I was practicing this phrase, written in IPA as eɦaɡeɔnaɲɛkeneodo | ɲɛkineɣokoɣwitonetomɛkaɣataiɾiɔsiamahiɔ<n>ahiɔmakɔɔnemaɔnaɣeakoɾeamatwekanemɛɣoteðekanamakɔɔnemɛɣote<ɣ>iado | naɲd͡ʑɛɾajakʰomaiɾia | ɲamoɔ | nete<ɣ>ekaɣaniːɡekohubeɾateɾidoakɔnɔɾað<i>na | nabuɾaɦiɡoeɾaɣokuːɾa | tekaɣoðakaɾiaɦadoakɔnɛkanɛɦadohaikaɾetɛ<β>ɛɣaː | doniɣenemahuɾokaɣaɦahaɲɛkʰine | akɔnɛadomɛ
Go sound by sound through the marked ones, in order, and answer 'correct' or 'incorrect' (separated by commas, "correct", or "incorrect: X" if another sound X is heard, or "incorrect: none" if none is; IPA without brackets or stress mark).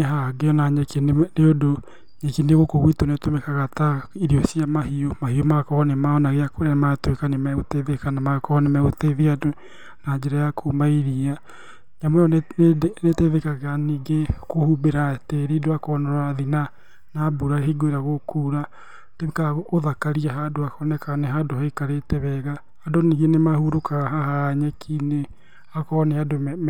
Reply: incorrect: m, incorrect: ð, incorrect: ð, correct, correct